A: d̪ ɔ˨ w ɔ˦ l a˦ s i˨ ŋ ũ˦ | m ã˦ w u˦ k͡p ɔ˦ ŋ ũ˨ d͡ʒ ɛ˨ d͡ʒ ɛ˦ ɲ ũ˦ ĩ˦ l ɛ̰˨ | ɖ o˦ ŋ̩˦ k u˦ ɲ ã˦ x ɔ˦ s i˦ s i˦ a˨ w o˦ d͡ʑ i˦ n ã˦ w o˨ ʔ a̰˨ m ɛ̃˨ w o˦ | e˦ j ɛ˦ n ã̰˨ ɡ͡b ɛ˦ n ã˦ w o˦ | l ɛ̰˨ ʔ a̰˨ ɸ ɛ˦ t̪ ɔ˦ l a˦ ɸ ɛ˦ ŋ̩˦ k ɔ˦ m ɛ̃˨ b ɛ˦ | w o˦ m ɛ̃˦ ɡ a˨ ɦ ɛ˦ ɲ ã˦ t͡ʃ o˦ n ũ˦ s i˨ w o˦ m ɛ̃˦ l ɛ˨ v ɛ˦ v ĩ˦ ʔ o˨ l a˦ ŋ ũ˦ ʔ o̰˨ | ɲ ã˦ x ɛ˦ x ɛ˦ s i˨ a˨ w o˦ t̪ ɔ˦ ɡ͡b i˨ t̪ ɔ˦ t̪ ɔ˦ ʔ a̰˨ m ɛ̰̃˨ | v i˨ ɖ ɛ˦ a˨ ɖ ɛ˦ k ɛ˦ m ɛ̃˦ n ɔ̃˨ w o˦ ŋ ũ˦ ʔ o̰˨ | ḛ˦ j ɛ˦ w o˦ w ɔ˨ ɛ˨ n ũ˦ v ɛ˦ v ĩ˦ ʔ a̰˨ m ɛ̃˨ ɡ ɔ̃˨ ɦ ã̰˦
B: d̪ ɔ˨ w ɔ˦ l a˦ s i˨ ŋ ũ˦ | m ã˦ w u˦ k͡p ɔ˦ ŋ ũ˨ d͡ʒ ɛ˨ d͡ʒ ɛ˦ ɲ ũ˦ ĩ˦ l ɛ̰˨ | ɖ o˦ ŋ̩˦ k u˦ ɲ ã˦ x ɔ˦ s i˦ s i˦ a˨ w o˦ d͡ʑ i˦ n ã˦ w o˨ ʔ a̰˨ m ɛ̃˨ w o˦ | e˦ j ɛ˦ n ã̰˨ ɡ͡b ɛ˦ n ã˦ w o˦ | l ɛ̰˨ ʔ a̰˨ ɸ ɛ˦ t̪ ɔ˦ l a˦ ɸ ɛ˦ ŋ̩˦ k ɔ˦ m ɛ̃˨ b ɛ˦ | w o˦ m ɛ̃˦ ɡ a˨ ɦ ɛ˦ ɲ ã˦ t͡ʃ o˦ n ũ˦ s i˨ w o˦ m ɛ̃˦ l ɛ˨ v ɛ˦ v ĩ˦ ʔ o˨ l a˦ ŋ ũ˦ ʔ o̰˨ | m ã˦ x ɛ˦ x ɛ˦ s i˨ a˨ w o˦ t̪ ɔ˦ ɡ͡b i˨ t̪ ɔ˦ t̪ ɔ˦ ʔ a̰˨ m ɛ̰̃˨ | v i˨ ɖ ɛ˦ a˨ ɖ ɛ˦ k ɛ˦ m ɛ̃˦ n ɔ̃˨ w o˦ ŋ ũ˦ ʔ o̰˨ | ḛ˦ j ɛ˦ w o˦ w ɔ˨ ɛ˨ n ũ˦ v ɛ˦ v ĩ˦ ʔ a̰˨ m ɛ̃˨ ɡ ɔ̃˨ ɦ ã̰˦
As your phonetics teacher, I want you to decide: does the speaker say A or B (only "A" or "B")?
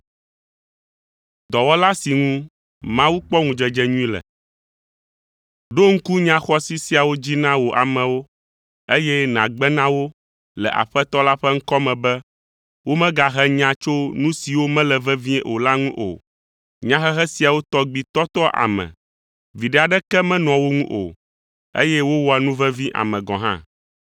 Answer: A